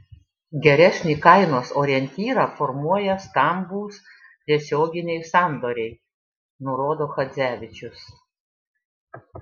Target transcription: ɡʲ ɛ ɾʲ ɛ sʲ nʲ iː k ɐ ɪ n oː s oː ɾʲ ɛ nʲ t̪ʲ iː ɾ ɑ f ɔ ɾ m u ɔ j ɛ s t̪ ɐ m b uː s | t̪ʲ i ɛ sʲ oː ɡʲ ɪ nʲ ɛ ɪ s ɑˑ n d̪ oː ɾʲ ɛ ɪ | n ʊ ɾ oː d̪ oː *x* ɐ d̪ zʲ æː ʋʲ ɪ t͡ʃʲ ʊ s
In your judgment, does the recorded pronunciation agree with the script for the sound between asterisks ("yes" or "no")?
yes